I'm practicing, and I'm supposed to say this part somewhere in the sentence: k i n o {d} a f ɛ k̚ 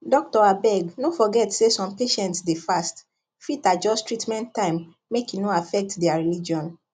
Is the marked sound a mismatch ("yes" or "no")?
yes